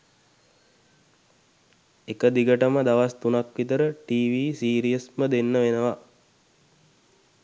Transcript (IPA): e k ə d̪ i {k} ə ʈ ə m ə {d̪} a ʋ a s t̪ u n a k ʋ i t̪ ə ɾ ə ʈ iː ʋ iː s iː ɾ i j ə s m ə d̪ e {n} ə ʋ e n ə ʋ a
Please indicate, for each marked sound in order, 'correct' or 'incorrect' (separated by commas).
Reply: incorrect, correct, incorrect